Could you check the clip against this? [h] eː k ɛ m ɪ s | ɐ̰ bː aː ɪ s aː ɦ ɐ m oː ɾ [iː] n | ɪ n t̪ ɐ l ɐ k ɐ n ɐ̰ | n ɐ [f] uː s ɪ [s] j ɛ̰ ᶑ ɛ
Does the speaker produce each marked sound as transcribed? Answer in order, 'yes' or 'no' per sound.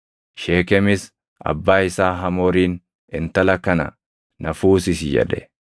no, yes, yes, yes

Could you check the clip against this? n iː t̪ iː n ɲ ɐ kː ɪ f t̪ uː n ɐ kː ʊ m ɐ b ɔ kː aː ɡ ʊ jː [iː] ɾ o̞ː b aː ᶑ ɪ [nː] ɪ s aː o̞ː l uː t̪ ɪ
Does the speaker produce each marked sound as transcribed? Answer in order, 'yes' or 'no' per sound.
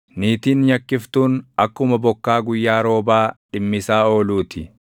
no, no

